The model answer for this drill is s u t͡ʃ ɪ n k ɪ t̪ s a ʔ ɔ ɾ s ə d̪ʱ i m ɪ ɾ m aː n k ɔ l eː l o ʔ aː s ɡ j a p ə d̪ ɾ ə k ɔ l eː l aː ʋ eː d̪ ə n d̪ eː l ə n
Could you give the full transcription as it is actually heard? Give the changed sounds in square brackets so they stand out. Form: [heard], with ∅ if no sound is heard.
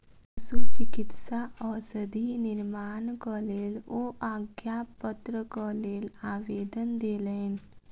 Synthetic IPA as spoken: s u t͡ʃ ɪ [∅] k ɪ t̪ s a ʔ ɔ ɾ s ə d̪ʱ i [n] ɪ ɾ m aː n k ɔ l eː l o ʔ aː [∅] ɡ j a p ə [t̪] ɾ ə k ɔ l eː l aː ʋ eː d̪ ə n d̪ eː l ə n